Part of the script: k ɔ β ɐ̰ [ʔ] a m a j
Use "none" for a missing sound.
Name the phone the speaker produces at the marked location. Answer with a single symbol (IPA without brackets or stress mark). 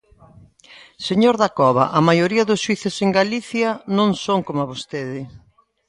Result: ʔ